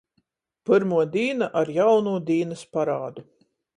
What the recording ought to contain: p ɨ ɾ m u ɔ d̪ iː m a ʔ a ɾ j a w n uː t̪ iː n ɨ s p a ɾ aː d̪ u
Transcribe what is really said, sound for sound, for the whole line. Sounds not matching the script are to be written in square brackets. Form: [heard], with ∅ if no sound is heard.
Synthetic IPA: p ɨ ɾ m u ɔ d̪ iː [n] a ʔ a ɾ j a w n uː [d̪] iː n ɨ s p a ɾ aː d̪ u